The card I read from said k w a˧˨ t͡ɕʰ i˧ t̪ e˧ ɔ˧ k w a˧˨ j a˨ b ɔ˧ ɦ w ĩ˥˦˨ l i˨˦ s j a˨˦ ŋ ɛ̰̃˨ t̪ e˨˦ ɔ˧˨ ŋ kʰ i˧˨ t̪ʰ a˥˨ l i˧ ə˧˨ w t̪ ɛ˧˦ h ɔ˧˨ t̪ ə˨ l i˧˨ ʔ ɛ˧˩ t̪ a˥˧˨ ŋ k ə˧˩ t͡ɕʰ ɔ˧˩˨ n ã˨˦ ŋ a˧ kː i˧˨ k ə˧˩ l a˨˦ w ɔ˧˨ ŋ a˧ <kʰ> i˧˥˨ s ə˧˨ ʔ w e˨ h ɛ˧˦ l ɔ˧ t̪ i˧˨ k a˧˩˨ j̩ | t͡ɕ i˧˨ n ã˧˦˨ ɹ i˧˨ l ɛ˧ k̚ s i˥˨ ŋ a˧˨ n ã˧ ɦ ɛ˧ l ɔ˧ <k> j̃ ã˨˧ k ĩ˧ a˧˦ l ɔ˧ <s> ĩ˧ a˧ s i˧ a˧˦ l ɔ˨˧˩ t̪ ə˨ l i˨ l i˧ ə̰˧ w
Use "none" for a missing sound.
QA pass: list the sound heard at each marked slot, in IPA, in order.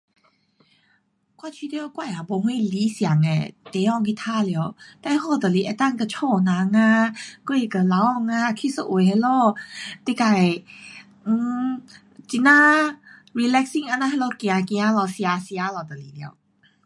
kʰ, k, s

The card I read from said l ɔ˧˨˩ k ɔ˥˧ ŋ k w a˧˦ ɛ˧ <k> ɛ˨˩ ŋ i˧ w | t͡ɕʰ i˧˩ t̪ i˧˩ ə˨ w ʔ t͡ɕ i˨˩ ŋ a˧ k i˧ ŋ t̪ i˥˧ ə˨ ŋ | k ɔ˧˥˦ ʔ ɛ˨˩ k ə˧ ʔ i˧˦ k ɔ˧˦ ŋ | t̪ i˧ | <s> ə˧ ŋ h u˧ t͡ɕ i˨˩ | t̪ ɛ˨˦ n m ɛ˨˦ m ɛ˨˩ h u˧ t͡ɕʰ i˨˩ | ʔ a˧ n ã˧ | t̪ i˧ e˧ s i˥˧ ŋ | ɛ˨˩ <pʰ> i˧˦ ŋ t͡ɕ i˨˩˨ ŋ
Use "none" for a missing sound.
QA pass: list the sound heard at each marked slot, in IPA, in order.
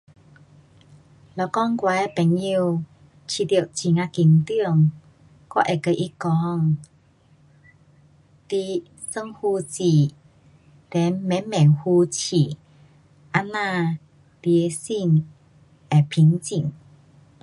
p, s, pʰ

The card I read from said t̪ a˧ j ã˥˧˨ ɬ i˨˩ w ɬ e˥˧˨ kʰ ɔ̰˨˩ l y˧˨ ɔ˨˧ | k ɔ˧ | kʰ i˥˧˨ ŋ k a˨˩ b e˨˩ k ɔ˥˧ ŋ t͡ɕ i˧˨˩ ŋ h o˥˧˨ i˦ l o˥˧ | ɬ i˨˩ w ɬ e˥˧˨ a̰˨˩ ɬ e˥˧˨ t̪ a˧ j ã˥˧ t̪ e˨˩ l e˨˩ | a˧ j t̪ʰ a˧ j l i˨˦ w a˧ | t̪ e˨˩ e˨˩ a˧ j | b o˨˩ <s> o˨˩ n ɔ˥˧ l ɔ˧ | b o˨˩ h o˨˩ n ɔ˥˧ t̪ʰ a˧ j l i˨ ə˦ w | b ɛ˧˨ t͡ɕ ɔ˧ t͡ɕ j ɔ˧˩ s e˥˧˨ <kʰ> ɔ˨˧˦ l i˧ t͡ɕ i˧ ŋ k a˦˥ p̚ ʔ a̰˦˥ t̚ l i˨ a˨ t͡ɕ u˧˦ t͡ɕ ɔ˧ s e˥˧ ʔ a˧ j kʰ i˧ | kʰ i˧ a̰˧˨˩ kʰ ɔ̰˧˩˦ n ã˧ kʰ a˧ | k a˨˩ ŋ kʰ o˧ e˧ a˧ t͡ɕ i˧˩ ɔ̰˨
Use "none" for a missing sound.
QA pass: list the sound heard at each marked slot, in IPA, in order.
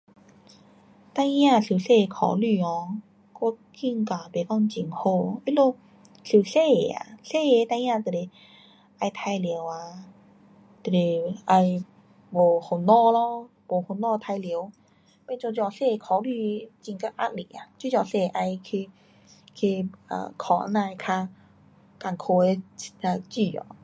h, kʰ

